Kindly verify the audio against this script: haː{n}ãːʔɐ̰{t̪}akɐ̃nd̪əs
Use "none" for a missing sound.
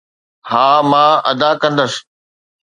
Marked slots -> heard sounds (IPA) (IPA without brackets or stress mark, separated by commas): m, d̪